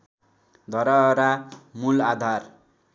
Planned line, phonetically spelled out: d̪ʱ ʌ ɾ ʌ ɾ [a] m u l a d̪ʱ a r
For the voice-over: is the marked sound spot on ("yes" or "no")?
yes